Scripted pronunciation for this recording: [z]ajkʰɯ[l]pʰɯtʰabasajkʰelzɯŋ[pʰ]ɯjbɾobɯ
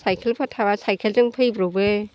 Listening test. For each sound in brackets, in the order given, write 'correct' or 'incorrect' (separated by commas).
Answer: incorrect, correct, correct